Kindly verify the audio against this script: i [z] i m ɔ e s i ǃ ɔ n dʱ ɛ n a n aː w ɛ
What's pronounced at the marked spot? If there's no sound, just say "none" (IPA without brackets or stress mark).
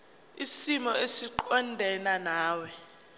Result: s